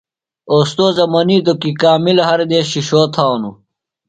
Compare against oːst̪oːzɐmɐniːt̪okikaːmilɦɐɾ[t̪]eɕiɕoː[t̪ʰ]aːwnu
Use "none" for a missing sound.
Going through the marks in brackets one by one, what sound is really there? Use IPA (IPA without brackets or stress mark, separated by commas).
d̪, t̪ʰ